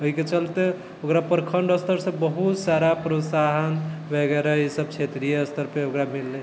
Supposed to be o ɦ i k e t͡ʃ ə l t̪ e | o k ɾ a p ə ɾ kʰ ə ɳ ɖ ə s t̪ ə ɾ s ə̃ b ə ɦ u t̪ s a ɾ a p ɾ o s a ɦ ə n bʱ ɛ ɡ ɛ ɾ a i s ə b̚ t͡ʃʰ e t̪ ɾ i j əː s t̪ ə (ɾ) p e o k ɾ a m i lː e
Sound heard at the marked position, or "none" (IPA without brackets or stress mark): ɾ